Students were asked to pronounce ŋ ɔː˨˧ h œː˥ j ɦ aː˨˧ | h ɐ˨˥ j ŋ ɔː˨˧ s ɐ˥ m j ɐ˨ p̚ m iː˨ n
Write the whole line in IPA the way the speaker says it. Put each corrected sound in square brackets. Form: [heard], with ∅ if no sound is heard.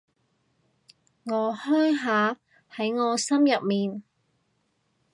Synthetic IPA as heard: ŋ ɔː˨˧ h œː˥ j ɦ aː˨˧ | h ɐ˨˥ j ŋ ɔː˨˧ s ɐ˥ m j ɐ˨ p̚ m iː˨ n